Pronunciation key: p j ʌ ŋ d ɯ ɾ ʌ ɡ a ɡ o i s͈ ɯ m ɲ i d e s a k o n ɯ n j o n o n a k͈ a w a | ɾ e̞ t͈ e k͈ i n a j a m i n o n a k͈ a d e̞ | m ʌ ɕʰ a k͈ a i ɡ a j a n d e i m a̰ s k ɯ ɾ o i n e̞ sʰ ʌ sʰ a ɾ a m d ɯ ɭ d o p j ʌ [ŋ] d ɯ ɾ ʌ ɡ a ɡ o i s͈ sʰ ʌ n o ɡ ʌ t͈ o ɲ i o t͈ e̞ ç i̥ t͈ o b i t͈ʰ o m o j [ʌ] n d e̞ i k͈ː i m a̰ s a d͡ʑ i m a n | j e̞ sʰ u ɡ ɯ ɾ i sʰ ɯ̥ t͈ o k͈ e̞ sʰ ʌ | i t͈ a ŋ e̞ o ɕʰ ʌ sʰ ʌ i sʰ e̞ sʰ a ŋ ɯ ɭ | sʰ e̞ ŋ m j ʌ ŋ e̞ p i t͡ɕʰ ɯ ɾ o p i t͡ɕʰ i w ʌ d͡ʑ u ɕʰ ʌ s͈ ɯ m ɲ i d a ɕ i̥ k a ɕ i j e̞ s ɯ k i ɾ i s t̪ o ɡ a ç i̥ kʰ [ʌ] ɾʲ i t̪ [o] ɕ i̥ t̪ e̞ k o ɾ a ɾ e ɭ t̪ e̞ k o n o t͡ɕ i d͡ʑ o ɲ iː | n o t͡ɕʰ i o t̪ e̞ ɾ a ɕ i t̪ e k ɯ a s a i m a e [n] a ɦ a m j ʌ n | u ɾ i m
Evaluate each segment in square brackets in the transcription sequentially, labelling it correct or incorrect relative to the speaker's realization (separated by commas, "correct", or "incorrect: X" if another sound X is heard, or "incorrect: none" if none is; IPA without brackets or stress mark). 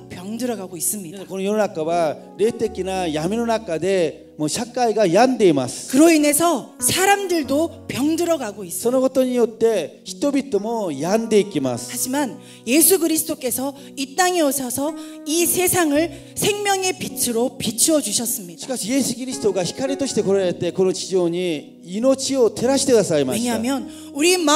correct, incorrect: a, incorrect: a, correct, incorrect: ɲ